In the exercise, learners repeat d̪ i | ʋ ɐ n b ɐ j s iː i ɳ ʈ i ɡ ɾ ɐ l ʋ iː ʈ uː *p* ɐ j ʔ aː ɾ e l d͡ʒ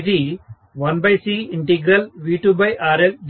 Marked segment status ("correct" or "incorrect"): incorrect